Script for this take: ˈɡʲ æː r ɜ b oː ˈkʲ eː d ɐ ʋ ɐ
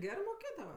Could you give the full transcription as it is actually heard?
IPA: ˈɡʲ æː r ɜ m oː ˈkʲ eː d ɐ ʋ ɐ